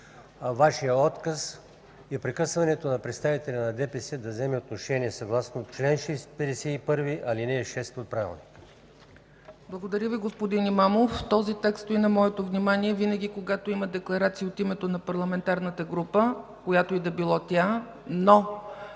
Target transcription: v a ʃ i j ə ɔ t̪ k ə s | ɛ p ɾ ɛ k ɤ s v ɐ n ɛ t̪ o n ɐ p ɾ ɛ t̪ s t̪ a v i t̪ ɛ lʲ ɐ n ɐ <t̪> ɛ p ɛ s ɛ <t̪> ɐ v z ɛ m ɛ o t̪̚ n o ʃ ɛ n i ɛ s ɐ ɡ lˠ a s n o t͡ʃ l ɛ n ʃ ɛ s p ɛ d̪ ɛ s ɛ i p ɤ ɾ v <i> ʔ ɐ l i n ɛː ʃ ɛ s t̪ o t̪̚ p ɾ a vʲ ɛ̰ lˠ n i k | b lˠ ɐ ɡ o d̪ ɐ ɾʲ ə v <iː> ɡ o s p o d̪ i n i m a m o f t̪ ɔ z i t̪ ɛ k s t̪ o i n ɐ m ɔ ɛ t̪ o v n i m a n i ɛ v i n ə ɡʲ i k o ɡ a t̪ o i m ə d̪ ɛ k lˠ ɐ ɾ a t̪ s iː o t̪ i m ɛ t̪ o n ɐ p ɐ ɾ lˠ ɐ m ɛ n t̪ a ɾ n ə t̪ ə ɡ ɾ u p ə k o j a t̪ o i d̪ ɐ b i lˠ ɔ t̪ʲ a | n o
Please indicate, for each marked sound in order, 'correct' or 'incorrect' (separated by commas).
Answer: incorrect, incorrect, correct, incorrect